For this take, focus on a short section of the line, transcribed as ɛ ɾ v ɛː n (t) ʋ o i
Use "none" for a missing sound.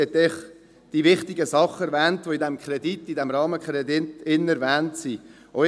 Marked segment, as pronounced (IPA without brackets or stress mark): t